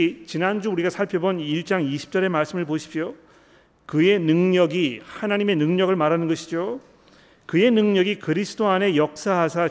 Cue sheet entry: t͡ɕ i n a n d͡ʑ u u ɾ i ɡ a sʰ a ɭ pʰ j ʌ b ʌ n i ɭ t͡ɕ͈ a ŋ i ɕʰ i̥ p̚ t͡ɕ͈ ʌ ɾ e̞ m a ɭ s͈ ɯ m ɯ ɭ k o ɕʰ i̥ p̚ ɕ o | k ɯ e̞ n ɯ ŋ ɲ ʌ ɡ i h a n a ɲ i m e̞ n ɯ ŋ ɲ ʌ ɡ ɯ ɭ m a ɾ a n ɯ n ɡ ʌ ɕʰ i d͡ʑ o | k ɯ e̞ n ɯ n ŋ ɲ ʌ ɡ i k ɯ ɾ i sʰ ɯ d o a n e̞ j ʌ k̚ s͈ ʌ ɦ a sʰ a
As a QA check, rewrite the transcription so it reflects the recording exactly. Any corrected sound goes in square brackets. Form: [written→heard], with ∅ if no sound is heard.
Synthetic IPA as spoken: t͡ɕ i n a n d͡ʑ u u ɾ i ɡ a sʰ a ɭ pʰ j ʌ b ʌ n i ɭ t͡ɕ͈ a ŋ i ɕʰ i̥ p̚ t͡ɕ͈ ʌ ɾ e̞ m a ɭ s͈ ɯ m ɯ ɭ [k→p] o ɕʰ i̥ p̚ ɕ o | k ɯ e̞ n ɯ ŋ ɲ ʌ ɡ i h a n a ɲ i m e̞ n ɯ ŋ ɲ ʌ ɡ ɯ ɭ m a ɾ a n ɯ n ɡ ʌ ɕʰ i d͡ʑ o | k ɯ e̞ n ɯ [n→∅] ŋ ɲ ʌ ɡ i k ɯ ɾ i sʰ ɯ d o a n e̞ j ʌ k̚ s͈ [ʌ→a] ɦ a sʰ a